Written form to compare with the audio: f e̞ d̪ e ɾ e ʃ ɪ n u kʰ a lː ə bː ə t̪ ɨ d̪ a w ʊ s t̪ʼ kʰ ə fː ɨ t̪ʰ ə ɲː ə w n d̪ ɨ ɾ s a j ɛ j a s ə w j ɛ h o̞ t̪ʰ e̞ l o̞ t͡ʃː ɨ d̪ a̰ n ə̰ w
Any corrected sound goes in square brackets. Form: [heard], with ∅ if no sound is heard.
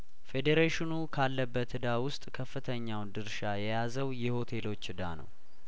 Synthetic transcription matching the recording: f e̞ d̪ e ɾ e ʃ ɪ n u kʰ a lː ə bː ə t̪ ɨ d̪ a w ʊ s t̪ʼ kʰ ə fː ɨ t̪ʰ ə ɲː [a] w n d̪ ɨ ɾ [ʃ] a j ɛ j a [z] ə w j ɛ h o̞ t̪ʰ e̞ l o̞ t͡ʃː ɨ d̪ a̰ n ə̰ w